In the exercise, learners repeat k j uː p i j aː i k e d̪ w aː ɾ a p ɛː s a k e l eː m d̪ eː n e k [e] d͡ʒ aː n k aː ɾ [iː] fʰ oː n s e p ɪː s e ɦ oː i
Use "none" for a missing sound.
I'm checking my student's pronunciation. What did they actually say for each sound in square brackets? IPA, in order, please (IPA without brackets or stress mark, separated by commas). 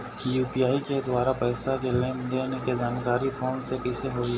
e, i